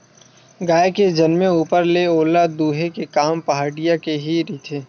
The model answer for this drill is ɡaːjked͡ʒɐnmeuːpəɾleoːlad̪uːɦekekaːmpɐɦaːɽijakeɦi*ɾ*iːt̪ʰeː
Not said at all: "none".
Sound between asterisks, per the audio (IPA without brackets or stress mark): ɾ